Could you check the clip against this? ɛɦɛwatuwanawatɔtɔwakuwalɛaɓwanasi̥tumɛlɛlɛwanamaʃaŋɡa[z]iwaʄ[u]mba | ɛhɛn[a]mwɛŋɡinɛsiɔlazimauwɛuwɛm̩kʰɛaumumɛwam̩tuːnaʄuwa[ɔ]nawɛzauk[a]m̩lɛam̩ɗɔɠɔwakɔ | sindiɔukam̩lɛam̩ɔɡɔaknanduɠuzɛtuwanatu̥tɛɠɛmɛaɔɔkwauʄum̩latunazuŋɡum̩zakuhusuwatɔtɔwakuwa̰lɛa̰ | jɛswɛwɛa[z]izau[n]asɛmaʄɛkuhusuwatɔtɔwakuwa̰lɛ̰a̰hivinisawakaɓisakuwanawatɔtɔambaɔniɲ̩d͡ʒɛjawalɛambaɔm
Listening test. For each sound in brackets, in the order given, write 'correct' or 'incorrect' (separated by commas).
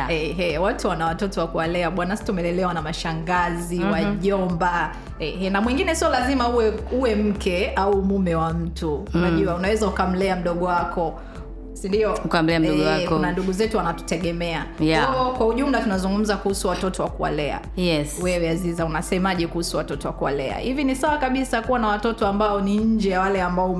correct, incorrect, correct, incorrect, correct, correct, correct